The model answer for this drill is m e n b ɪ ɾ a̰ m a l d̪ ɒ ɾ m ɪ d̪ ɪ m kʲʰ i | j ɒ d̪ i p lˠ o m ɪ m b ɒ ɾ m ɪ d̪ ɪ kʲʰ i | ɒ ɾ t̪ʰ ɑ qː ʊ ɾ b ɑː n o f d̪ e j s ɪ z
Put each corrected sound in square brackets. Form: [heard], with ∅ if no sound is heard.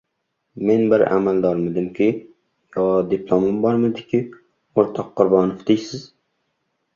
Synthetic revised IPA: m e n b ɪ ɾ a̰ m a l d̪ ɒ ɾ m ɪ d̪ ɪ m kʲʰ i | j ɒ d̪ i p lˠ o m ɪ m b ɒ ɾ m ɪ d̪ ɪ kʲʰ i | [o] ɾ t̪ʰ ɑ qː ʊ ɾ b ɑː n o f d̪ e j s ɪ z